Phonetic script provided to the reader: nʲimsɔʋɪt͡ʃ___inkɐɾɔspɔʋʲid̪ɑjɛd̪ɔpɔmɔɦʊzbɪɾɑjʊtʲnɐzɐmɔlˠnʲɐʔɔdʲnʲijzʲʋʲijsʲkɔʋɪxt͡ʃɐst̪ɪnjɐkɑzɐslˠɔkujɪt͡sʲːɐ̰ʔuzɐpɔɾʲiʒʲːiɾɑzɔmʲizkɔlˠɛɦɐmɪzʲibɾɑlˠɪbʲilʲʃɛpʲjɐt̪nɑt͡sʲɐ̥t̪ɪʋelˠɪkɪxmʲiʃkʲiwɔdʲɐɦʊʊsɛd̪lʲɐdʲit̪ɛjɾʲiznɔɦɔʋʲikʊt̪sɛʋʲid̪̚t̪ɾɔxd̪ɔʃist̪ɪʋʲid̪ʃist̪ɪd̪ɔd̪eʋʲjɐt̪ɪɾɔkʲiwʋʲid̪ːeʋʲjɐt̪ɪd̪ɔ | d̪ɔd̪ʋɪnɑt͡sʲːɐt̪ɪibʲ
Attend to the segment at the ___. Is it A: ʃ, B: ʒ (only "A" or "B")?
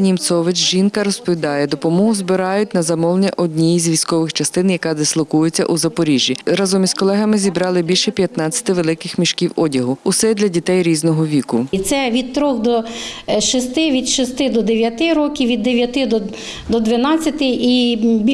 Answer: B